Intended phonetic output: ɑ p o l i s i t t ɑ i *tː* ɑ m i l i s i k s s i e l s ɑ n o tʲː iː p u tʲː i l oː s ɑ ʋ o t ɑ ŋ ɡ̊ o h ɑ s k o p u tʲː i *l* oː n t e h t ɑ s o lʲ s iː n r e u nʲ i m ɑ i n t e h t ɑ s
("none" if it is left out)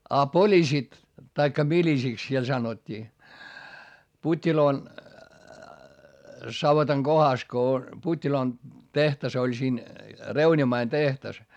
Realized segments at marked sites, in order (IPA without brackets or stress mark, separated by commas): kː, l